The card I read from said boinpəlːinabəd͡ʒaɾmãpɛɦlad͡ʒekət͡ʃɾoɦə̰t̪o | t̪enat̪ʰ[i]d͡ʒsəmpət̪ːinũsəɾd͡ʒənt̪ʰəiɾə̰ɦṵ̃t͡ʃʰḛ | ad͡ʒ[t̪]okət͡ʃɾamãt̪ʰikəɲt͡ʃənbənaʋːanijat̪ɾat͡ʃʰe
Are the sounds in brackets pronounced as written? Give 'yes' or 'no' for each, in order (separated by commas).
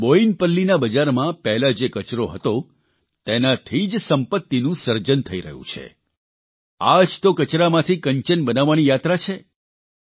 yes, yes